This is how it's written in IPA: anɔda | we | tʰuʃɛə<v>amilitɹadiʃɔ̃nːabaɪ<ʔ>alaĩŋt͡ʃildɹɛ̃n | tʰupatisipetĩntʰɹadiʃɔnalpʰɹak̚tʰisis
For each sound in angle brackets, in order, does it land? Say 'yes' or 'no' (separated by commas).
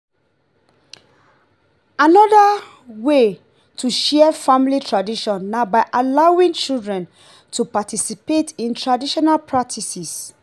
no, yes